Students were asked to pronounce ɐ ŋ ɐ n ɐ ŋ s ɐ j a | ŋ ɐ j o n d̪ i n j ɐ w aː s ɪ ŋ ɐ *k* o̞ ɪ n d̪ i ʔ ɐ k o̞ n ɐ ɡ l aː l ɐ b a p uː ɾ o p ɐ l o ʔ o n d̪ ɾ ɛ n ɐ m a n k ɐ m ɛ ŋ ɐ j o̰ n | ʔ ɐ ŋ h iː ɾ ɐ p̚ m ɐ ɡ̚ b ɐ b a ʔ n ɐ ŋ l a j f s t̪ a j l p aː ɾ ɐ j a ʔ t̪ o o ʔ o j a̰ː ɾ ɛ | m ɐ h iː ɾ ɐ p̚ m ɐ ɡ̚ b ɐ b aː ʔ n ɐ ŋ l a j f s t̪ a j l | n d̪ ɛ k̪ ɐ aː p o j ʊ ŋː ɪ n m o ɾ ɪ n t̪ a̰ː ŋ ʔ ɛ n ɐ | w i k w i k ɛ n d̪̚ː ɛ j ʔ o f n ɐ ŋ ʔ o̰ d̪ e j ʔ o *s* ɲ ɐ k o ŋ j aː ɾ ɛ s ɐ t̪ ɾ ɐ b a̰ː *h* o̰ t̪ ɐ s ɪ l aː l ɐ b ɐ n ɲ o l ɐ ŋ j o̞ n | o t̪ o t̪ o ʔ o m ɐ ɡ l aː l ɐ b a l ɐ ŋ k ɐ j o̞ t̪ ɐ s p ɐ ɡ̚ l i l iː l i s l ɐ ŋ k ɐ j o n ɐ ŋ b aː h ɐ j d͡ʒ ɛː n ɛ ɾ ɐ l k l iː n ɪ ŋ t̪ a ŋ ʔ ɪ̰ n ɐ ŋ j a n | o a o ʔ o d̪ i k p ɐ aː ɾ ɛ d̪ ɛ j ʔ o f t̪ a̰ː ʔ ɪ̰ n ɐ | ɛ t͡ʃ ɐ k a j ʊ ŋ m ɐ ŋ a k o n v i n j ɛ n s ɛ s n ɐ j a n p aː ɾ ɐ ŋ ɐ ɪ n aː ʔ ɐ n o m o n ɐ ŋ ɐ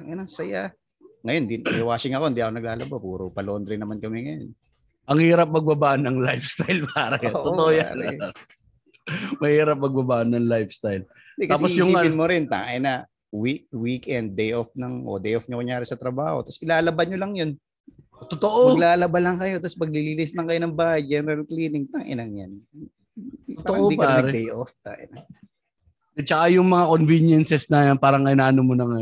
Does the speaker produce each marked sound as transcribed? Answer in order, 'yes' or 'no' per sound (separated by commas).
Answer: yes, no, yes